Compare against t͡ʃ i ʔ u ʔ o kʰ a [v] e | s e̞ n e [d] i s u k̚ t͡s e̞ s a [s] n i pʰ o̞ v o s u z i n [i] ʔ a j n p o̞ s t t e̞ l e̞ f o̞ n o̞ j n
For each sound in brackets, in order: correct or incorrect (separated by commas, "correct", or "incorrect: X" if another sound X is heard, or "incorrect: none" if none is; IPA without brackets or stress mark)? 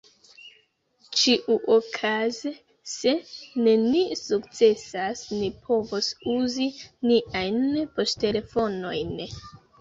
incorrect: z, incorrect: n, correct, correct